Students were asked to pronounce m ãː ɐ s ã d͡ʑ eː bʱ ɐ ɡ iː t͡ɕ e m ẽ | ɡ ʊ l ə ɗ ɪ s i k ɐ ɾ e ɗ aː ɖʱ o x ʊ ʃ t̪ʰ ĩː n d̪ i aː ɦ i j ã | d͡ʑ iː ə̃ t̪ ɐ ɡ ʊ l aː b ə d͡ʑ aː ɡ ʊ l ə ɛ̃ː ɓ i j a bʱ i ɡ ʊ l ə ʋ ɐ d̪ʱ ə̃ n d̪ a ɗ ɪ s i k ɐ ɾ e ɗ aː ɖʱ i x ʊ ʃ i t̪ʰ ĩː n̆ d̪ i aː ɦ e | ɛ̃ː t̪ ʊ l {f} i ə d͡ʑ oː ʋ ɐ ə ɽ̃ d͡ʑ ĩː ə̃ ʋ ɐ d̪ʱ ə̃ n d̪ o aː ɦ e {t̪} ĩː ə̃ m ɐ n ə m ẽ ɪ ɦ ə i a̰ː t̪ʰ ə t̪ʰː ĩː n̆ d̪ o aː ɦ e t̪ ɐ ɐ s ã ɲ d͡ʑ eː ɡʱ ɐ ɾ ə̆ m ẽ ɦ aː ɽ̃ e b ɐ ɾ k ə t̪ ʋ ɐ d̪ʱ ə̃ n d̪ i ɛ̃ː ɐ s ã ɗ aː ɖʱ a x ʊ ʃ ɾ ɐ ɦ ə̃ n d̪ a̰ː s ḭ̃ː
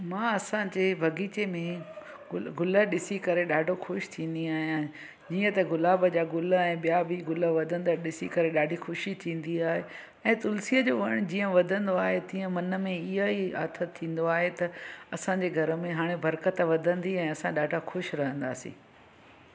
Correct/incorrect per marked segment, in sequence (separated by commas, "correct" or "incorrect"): incorrect, correct